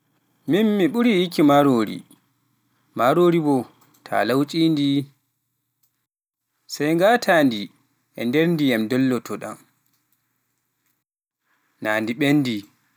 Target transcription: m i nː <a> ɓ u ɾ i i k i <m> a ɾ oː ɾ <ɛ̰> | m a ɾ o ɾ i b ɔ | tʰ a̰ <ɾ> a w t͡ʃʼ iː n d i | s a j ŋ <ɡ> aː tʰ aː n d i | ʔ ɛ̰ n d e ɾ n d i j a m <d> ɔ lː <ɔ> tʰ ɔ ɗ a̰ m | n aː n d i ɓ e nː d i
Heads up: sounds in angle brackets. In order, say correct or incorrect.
incorrect, correct, incorrect, incorrect, correct, correct, correct

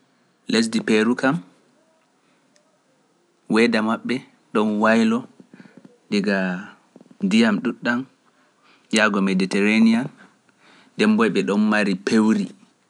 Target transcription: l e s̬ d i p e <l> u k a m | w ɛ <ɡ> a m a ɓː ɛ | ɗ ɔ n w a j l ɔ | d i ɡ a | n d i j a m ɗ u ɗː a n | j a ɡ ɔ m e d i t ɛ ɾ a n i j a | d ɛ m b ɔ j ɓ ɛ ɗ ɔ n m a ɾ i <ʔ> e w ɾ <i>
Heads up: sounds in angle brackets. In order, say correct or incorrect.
incorrect, incorrect, incorrect, correct

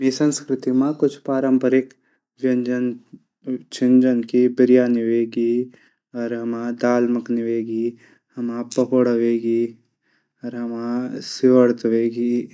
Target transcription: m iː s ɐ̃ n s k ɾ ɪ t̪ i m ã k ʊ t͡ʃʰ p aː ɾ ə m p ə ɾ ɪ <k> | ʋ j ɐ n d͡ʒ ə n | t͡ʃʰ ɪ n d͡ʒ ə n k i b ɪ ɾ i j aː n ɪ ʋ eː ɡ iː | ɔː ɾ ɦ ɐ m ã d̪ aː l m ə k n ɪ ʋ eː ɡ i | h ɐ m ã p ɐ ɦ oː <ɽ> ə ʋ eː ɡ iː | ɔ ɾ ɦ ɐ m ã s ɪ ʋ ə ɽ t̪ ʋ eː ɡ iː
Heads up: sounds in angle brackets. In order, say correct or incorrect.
correct, correct

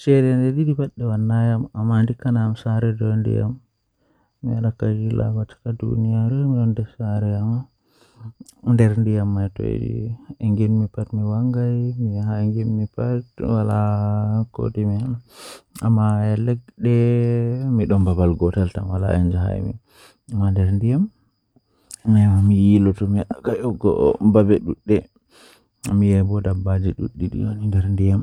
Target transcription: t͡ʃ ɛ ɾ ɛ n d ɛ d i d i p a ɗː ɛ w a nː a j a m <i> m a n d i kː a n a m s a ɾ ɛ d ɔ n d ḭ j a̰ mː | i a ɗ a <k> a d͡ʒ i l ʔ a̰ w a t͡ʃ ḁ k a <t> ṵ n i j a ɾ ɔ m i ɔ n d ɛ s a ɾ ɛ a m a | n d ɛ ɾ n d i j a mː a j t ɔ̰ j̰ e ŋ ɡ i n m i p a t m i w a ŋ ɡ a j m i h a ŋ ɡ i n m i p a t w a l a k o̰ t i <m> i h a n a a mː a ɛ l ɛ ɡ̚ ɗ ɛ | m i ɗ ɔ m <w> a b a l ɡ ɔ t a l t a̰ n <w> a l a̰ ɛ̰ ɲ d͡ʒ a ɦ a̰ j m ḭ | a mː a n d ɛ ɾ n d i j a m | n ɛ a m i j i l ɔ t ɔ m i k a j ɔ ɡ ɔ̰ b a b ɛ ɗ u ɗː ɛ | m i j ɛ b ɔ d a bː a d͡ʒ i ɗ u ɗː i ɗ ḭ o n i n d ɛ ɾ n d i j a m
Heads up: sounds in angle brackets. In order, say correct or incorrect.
incorrect, correct, incorrect, correct, incorrect, correct

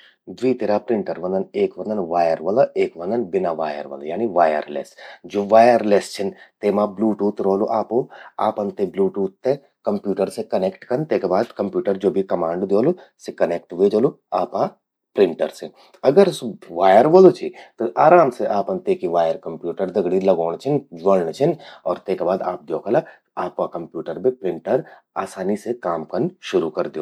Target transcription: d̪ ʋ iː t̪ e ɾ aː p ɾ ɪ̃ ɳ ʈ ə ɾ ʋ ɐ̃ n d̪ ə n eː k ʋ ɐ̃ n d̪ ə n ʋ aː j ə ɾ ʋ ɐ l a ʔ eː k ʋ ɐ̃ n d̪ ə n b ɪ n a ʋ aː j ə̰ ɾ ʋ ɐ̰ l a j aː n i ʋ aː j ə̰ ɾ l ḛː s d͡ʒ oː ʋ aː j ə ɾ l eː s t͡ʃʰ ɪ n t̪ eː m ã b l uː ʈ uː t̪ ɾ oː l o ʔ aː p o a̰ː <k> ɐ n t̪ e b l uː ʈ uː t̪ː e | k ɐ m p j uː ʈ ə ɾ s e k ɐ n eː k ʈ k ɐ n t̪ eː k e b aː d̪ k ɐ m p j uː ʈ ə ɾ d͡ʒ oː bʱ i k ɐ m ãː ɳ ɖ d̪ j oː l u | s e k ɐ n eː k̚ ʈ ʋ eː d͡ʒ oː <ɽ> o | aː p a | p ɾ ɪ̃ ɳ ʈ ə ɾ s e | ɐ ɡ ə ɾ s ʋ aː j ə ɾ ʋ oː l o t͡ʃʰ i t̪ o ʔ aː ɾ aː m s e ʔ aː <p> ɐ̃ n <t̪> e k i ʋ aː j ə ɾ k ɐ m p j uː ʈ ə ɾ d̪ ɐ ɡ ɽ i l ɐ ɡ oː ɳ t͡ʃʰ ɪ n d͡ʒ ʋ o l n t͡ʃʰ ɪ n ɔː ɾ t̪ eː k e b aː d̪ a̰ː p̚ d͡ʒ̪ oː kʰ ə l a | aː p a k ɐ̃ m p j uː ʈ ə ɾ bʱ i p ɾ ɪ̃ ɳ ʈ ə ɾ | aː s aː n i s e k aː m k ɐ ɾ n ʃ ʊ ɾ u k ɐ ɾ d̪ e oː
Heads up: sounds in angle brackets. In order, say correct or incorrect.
incorrect, incorrect, correct, correct

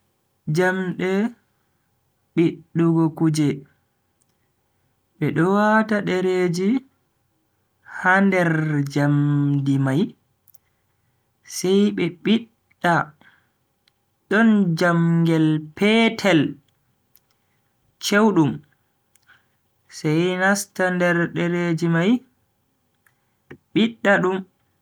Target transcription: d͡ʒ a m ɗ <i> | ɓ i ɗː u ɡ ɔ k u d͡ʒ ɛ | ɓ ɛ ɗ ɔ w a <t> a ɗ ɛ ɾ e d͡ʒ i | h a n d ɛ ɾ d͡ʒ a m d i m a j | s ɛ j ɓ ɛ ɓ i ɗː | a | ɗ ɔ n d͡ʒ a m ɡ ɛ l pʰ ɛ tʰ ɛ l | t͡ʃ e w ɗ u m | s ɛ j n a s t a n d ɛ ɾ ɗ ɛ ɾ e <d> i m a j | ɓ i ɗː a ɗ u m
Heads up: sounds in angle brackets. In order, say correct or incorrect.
incorrect, correct, incorrect

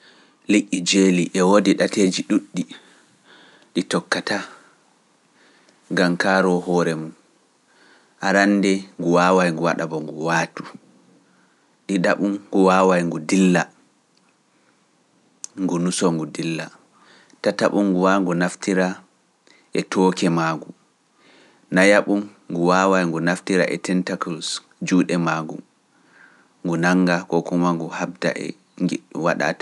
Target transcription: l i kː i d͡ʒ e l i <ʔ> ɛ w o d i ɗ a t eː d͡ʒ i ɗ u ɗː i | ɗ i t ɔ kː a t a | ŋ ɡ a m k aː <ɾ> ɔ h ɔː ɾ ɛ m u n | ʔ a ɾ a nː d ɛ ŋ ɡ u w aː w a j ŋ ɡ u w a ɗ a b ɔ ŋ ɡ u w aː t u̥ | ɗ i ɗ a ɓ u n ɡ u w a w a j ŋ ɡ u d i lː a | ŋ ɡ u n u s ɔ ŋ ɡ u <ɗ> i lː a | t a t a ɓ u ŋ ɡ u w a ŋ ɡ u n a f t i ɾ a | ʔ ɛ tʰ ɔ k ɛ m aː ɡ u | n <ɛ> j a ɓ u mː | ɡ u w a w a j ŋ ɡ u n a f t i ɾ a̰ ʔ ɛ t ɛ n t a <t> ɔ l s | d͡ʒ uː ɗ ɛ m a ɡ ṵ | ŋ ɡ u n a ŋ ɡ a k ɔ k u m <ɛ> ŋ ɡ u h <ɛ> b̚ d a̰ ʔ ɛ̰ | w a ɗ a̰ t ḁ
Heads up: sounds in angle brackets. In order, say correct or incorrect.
correct, correct, incorrect, incorrect, incorrect, incorrect, incorrect

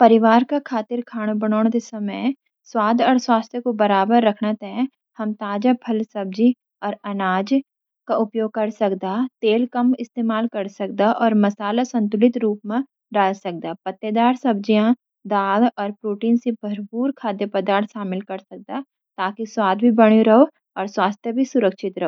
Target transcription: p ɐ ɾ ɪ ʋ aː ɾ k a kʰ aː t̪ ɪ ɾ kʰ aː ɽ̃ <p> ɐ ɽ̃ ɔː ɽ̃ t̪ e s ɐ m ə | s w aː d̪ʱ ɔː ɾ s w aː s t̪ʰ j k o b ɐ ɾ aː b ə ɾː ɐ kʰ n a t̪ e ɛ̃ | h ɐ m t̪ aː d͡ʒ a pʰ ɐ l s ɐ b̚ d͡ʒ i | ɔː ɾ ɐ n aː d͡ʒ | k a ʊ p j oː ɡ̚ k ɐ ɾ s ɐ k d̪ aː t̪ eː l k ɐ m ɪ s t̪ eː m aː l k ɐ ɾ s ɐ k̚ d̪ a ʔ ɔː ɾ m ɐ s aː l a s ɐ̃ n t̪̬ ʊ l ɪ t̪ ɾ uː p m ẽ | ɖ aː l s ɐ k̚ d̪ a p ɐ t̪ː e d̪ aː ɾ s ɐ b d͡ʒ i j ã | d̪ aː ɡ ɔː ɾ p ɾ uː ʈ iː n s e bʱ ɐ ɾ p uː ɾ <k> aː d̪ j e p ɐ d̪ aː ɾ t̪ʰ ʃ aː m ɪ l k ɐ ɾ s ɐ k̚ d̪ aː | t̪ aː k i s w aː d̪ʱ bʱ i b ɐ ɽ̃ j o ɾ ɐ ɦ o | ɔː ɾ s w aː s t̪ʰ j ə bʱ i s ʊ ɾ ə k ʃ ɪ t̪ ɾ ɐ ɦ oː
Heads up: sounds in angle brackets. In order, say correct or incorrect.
incorrect, incorrect

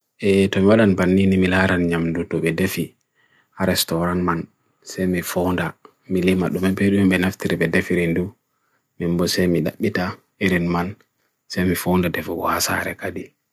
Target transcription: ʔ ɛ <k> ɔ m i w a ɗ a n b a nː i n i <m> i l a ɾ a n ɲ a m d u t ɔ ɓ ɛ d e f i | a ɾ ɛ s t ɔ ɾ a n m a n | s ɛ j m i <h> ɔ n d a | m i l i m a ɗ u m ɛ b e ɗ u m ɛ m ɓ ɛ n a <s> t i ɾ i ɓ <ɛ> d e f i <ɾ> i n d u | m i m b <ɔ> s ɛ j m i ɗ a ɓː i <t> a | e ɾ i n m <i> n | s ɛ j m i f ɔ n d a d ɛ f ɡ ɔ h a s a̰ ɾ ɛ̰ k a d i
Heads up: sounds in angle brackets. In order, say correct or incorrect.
incorrect, correct, incorrect, incorrect, correct, correct, correct, correct, incorrect

